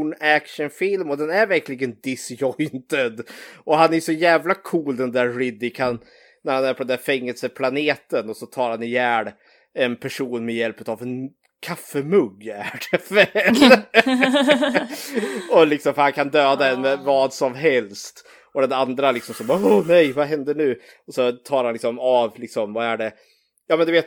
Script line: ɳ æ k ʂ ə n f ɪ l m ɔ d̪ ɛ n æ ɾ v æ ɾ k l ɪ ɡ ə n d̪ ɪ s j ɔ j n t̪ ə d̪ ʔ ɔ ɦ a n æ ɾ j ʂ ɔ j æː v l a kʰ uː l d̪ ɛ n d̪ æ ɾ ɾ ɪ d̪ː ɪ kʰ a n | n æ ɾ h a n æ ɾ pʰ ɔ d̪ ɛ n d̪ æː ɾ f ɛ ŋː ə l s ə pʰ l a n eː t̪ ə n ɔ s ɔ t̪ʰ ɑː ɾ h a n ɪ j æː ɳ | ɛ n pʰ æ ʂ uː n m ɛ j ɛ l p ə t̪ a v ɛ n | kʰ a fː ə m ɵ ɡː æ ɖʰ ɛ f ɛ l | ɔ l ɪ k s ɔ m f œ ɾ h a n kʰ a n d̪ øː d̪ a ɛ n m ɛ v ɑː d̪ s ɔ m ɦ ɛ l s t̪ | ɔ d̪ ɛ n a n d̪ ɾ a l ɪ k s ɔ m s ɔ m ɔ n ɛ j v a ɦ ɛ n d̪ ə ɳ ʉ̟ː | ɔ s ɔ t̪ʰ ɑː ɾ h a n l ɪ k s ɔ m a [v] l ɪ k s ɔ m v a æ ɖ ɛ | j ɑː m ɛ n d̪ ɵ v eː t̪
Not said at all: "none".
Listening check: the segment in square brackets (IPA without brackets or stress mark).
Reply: v